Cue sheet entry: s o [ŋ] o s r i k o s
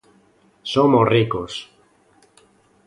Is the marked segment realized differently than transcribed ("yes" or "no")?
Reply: yes